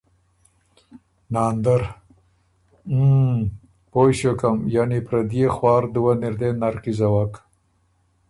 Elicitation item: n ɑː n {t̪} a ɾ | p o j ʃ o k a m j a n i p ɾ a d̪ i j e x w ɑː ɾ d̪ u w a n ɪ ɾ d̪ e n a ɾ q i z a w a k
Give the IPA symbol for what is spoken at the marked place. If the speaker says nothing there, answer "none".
d̪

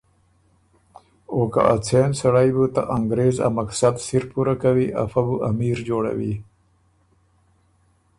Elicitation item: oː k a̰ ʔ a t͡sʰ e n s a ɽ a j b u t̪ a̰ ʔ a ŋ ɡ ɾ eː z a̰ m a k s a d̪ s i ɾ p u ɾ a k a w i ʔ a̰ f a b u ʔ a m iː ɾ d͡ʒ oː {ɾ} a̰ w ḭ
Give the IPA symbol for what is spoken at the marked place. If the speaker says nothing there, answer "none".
ɽ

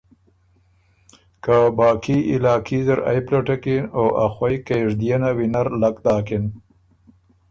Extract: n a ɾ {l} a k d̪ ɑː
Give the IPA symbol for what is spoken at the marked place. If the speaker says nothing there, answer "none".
l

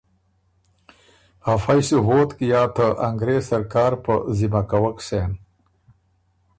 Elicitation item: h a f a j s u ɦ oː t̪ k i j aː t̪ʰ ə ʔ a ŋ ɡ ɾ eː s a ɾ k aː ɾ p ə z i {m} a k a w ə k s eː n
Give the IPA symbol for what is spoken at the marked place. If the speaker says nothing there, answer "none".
m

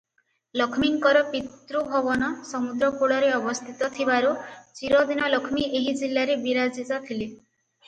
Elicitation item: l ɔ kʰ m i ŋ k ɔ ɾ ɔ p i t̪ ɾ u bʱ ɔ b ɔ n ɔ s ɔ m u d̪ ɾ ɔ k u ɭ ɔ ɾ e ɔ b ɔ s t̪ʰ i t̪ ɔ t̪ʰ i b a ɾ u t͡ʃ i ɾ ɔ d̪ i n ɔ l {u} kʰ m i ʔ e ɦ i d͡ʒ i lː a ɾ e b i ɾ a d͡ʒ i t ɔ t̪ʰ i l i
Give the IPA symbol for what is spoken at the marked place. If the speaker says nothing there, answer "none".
ɔ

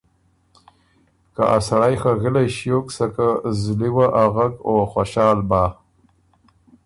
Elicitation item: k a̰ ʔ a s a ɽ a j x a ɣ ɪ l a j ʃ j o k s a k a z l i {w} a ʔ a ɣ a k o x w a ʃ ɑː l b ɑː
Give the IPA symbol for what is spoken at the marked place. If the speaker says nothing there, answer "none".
w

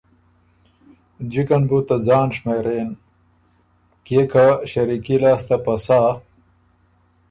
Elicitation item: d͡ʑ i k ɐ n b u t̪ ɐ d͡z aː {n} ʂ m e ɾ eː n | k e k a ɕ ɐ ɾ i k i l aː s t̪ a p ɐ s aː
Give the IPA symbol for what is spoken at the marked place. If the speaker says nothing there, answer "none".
n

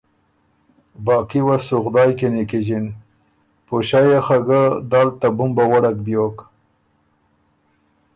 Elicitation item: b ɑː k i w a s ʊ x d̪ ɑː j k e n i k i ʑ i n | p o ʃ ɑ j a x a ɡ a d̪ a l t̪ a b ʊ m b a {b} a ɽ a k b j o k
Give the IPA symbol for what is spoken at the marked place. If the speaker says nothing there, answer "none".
w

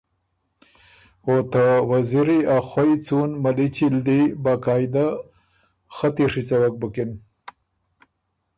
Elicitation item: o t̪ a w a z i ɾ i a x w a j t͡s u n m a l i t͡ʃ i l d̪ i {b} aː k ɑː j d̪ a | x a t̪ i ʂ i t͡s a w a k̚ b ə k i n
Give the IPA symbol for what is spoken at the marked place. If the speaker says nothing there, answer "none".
b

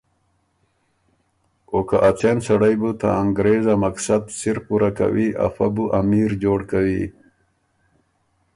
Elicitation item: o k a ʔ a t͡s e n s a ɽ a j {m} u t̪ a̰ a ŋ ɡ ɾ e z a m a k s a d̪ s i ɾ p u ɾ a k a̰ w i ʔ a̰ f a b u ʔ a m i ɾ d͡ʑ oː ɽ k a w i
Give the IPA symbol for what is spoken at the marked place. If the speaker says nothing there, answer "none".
b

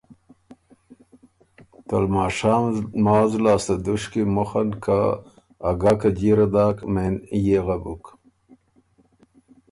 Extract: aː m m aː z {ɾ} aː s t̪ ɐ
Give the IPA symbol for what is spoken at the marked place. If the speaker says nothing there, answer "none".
l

